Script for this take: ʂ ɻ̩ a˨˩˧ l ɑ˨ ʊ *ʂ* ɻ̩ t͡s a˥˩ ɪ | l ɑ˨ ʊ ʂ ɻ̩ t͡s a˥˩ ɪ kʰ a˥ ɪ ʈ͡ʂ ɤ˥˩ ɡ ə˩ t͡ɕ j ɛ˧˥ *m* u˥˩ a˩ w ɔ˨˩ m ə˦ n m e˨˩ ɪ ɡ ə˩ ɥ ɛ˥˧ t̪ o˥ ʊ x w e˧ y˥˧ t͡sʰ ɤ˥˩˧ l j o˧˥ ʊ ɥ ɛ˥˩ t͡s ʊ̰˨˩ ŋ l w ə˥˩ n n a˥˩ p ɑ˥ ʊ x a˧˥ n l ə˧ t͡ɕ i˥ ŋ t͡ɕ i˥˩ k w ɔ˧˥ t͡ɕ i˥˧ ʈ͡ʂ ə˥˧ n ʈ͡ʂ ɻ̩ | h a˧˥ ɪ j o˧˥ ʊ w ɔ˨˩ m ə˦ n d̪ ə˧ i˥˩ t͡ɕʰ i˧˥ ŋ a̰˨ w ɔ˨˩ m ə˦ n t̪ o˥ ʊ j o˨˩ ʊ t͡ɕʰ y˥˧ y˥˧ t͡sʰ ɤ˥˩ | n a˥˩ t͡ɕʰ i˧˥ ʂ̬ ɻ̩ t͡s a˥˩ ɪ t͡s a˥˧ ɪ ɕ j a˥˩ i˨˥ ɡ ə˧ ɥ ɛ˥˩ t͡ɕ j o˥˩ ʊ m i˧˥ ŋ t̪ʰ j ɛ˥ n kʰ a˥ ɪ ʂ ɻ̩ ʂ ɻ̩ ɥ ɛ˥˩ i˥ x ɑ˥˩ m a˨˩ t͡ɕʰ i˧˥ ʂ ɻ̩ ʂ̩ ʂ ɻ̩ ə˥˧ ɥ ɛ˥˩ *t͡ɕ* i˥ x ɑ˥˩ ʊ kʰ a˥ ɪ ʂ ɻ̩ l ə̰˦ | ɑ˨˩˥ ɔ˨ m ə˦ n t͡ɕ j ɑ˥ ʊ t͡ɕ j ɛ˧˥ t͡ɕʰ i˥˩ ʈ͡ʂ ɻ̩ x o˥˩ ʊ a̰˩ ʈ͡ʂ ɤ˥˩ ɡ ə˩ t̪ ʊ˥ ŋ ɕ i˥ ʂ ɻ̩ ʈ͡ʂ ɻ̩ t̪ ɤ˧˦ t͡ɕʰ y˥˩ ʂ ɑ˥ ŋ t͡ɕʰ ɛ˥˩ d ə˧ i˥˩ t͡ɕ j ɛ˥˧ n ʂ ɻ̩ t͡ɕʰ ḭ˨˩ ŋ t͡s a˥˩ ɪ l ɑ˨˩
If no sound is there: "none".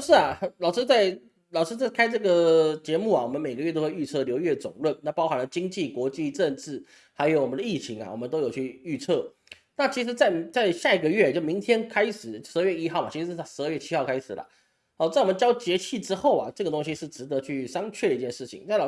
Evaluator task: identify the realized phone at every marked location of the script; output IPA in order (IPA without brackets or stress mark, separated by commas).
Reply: ʂ, m, t͡ɕʰ